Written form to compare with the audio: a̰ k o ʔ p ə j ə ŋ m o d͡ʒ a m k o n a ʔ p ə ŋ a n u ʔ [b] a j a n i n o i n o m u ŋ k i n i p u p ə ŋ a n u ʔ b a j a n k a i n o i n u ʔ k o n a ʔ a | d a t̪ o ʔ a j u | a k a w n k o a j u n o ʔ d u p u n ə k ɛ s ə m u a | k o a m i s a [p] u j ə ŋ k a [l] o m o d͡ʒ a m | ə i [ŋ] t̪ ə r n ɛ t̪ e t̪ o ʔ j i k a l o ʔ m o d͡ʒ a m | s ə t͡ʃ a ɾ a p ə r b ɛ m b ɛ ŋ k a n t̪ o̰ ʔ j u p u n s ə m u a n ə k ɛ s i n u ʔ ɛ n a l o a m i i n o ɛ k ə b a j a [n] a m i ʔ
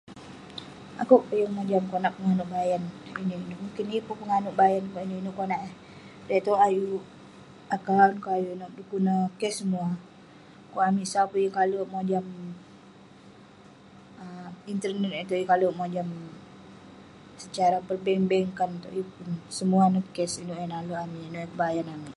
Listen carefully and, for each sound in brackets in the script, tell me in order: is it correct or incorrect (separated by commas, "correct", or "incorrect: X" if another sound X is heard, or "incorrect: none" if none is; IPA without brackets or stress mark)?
correct, correct, correct, incorrect: n, correct